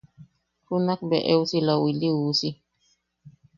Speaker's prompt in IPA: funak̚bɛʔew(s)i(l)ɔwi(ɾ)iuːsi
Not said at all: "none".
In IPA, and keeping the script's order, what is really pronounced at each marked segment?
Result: s, l, l

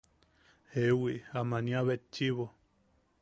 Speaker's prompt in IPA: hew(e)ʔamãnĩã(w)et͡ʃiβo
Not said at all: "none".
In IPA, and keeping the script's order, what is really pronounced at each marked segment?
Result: i, β

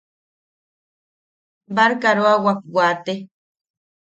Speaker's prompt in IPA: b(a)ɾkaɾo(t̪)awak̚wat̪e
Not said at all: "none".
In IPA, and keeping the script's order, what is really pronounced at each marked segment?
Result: a, none

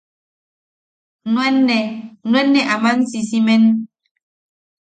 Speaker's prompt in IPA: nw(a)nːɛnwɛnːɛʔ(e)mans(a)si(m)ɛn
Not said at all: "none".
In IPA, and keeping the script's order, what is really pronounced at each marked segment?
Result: ɛ, a, i, m

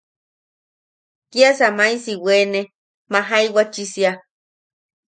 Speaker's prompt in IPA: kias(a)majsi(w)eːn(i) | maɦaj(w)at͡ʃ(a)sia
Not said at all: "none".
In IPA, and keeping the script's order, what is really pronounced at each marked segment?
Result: a, w, e, w, i

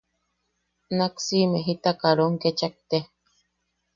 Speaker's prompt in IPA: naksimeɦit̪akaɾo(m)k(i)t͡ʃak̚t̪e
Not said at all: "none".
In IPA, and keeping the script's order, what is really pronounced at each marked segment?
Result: ŋ, e

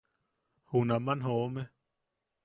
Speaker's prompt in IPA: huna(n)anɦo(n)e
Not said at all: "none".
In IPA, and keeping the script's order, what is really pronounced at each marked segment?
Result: m, m

